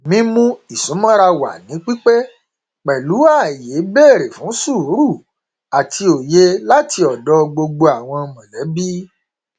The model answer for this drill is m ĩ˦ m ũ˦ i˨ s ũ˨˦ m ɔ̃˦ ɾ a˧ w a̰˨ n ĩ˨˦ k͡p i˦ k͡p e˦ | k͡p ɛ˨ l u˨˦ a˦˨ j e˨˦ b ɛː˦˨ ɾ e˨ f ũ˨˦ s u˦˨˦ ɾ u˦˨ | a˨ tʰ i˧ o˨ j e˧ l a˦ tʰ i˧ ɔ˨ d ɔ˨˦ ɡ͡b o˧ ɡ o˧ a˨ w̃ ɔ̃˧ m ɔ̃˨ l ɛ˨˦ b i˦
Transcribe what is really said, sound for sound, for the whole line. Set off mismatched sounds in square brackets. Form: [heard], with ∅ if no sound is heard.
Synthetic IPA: m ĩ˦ m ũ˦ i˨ s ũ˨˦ m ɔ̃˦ ɾ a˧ w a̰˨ n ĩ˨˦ k͡p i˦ k͡p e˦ | k͡p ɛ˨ l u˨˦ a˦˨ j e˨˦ b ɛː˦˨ ɾ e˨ f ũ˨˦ s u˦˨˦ ɾ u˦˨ | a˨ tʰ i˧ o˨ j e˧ l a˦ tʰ i˧ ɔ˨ d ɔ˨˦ ɡ͡b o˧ [ɡ͡b] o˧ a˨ w̃ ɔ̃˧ m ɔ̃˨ l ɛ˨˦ b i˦